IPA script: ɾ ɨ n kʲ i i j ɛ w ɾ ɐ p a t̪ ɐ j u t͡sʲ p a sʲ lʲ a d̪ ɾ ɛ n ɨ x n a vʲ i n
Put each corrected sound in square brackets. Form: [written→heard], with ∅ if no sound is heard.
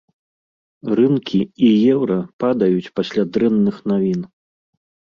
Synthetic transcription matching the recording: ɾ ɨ n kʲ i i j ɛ w ɾ ɐ p a [t̪→d̪] ɐ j u t͡sʲ p a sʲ lʲ a d̪ ɾ ɛ [n→nː] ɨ x n a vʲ i n